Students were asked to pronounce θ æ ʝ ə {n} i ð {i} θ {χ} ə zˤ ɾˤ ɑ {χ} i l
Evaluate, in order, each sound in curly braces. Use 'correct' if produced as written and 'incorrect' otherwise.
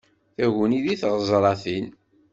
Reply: correct, correct, incorrect, incorrect

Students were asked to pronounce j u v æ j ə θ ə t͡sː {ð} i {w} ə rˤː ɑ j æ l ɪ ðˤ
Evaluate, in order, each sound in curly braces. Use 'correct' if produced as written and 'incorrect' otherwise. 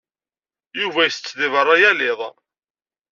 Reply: correct, incorrect

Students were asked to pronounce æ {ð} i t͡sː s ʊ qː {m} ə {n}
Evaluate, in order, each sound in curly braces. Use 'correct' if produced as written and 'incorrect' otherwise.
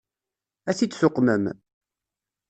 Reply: incorrect, correct, incorrect

